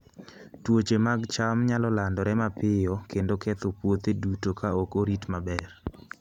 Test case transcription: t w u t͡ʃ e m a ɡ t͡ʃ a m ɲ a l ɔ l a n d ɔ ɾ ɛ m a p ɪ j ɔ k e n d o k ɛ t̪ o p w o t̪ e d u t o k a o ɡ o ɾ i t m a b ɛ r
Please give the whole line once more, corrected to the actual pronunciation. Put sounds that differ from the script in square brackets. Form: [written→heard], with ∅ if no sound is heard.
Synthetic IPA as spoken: t w [u→o] t͡ʃ e m a ɡ t͡ʃ a m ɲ a l ɔ l a n d ɔ ɾ ɛ m a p ɪ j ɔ k e n d o k ɛ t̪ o p w o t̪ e d u t o k a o [ɡ→k] o ɾ i t m a b ɛ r